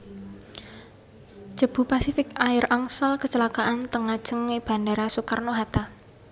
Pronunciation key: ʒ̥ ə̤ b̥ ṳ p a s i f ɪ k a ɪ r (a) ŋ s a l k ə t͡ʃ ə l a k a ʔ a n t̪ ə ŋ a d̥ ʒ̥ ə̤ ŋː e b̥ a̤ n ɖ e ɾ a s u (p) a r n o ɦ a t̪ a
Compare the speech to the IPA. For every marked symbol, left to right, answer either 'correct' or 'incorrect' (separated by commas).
correct, incorrect